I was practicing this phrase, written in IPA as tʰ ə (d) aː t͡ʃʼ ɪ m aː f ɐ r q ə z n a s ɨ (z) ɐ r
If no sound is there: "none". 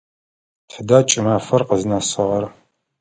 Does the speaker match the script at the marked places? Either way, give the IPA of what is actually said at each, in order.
d, ʁ

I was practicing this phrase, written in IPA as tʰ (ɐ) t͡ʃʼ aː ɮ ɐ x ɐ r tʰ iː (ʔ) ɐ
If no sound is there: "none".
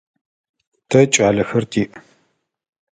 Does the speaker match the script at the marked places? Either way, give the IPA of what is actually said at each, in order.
ɐ, ʔ

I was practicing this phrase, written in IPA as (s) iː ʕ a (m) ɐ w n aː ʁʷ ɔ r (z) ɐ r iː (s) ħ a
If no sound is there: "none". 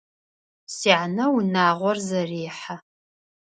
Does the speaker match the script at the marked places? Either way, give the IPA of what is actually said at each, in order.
s, n, z, none

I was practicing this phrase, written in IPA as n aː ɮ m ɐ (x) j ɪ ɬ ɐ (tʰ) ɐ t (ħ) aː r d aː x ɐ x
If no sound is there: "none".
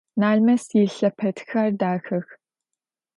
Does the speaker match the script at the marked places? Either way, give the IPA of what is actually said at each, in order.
s, pʰ, x

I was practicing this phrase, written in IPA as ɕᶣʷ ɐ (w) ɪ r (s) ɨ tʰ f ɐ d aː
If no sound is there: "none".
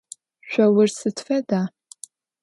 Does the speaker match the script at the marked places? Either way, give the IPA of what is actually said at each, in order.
w, s

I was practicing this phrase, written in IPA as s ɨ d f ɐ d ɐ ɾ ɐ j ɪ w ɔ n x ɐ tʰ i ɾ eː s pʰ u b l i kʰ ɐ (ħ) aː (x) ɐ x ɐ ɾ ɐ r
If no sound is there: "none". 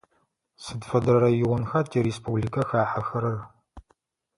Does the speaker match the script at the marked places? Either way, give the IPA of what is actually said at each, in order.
x, ħ

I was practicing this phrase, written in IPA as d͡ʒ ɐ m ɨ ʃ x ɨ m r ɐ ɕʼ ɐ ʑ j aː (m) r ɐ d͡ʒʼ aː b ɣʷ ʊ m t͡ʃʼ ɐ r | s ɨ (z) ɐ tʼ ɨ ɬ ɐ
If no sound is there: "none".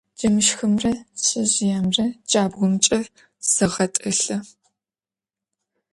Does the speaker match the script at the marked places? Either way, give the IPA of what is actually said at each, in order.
m, ʁ

